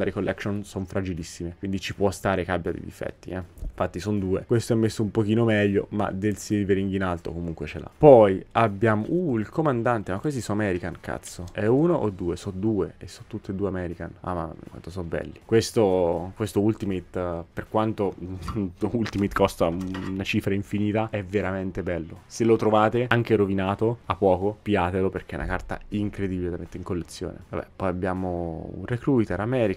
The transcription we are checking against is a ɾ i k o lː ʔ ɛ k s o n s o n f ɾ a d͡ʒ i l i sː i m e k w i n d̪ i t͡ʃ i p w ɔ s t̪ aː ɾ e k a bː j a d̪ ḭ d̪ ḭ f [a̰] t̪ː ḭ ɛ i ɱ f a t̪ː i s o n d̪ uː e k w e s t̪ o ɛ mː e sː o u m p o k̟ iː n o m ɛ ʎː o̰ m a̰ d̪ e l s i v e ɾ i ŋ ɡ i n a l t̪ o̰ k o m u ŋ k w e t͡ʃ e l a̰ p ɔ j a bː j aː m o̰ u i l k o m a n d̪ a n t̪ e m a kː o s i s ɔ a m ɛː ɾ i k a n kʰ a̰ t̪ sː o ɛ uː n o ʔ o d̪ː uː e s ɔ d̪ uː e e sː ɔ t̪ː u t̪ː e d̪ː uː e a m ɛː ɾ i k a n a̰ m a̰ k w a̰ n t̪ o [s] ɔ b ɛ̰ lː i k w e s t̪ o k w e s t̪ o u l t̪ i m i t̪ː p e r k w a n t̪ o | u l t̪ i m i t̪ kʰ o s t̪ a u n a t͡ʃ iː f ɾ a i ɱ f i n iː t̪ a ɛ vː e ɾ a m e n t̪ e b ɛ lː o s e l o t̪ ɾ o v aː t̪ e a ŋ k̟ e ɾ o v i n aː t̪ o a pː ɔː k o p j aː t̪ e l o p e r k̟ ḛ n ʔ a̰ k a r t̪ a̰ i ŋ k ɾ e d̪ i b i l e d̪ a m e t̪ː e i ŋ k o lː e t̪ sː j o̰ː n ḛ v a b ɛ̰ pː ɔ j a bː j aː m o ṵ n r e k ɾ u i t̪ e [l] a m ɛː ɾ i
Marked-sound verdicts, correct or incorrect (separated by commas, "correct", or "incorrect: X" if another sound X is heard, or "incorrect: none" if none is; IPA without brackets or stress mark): incorrect: ɛ̰, correct, incorrect: ɾ